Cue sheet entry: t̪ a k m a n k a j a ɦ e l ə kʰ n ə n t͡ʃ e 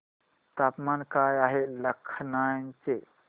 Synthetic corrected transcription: t̪ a p m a n k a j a ɦ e l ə kʰ n a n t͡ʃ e